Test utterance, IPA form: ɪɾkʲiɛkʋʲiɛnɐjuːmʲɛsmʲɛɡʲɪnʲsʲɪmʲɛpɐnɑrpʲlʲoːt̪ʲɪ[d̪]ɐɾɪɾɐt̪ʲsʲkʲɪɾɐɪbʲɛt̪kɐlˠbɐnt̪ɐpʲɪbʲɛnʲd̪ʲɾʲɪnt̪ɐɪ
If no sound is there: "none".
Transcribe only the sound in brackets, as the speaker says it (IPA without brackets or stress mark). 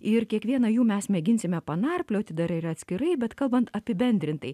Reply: d̪